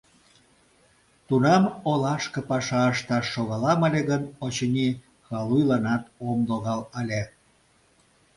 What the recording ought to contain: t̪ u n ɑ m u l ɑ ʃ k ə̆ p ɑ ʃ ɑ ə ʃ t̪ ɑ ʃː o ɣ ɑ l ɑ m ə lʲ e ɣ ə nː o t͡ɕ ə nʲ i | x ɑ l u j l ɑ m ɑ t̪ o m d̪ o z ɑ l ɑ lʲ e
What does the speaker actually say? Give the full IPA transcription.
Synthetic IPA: t̪ u n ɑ m o l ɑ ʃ k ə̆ p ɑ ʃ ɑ ə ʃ t̪ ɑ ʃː o ɣ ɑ l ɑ m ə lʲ e ɣ ə n o t͡ɕ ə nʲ i | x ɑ l u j l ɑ n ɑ t̪ o m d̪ o ɣ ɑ l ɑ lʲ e